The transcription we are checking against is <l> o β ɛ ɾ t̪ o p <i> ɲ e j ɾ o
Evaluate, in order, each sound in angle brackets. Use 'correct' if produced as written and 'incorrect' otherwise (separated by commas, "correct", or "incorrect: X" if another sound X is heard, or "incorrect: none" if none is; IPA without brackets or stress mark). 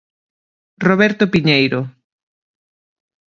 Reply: incorrect: r, correct